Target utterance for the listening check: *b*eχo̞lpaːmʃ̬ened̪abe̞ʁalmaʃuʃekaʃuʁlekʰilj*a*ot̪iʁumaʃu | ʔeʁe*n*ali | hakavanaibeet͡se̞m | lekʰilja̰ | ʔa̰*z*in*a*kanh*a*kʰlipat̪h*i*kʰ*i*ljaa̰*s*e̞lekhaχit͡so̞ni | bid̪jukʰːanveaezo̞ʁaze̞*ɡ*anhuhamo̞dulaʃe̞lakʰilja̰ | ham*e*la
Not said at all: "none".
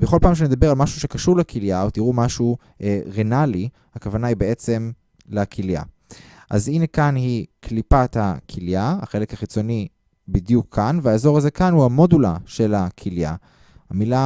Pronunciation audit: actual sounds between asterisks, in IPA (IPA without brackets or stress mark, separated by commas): b, a, n, z, e, i, a, i, χ, k, i